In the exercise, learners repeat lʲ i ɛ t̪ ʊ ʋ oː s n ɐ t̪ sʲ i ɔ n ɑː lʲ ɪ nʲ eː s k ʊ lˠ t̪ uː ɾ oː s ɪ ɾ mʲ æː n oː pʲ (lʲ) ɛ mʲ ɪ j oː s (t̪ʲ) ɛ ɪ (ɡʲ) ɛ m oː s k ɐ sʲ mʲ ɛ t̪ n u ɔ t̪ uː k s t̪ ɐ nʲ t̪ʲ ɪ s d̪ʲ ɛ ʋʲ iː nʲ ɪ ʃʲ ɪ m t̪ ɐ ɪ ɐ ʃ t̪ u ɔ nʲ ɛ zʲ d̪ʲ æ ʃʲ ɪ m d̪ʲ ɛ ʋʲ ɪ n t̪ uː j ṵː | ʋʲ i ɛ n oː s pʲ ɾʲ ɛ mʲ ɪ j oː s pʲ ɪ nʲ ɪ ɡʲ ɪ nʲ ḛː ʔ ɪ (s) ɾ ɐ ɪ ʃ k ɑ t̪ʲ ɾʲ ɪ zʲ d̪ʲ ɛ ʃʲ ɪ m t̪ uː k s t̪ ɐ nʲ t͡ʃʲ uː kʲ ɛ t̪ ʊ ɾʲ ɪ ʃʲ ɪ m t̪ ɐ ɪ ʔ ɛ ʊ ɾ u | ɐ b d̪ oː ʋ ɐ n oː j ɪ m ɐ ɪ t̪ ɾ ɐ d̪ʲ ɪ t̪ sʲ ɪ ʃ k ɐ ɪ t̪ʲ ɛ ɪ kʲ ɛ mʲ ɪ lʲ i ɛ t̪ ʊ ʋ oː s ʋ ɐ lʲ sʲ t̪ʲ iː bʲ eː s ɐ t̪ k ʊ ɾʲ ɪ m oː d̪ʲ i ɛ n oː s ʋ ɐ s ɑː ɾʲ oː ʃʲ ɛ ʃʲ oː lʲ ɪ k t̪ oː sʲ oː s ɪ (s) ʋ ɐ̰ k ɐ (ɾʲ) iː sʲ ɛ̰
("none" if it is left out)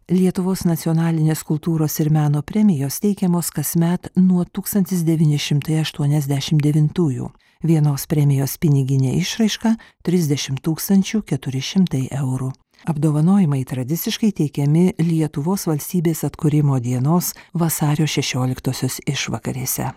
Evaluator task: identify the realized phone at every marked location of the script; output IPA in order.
ɾʲ, t̪ʲ, kʲ, ʃ, ʃ, ɾʲ

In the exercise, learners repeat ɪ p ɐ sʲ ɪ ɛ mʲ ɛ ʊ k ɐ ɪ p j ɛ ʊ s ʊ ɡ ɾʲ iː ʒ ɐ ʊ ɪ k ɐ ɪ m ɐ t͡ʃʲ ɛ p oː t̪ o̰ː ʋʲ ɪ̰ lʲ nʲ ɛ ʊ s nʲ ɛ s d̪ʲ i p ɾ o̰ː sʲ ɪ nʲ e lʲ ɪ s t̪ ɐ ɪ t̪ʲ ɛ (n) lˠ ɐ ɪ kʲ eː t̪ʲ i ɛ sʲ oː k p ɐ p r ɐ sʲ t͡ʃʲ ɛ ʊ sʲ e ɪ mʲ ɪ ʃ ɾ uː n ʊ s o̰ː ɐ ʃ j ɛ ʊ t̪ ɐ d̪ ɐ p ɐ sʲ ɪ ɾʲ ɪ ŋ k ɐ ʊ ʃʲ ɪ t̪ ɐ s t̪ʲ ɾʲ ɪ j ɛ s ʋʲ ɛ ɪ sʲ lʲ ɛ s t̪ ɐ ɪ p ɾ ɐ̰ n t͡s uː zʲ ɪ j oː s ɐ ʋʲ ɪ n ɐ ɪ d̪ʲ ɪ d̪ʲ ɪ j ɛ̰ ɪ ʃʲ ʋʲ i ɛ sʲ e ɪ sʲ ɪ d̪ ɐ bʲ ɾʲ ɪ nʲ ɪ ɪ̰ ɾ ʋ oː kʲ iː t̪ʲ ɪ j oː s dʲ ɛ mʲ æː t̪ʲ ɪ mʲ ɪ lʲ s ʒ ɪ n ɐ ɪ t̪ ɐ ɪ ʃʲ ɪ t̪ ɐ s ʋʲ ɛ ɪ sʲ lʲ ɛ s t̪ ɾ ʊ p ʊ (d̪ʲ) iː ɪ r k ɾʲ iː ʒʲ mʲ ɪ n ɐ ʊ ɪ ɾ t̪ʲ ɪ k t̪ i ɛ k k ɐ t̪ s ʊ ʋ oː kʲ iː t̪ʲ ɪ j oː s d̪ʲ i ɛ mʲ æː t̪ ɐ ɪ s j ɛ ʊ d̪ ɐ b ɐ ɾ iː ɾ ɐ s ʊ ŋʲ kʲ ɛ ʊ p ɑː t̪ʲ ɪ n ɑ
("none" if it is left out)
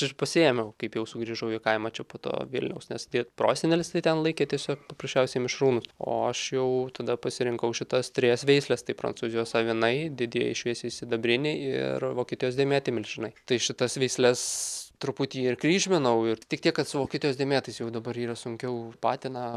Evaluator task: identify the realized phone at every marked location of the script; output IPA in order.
n, t̪ʲ

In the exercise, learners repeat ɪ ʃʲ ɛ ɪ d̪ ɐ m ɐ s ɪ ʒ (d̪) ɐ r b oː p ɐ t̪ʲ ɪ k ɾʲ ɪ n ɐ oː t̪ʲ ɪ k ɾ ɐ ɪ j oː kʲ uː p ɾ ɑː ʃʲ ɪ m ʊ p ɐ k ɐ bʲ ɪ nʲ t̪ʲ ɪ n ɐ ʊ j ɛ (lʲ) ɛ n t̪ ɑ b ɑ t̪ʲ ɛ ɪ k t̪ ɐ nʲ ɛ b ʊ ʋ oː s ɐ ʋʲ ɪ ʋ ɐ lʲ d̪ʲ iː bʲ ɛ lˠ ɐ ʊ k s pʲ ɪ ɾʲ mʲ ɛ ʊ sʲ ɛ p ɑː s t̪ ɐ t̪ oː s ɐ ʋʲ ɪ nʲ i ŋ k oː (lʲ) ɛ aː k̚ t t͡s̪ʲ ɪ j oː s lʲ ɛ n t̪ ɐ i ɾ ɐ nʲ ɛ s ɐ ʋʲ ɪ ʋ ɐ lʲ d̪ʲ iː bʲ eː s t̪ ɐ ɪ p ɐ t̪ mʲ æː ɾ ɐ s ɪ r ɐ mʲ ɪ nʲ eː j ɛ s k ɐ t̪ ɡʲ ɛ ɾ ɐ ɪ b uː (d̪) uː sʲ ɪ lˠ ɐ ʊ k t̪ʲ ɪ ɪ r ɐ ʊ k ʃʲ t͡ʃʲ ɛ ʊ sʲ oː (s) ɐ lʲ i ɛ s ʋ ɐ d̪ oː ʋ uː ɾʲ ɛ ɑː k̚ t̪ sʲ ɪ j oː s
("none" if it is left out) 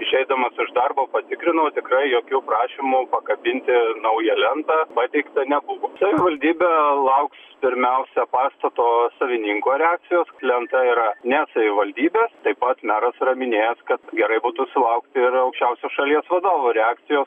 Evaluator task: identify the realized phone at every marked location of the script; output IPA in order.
d̪, lʲ, ɾʲ, t̪, ʃ

